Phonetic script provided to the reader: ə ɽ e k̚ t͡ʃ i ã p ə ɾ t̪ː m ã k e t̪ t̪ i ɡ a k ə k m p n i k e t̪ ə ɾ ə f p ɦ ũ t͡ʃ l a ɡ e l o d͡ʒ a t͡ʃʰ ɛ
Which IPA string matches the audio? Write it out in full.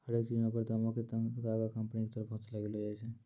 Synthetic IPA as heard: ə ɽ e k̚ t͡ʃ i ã p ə ɾ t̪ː m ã k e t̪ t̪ a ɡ a k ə m p n i k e t̪ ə ɾ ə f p ɦ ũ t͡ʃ l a ɡ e l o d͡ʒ a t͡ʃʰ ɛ